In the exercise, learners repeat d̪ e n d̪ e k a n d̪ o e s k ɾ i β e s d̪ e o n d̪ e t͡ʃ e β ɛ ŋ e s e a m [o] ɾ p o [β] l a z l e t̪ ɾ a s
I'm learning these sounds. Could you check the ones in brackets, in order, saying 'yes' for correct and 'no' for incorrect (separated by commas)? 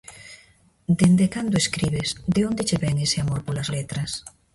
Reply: yes, no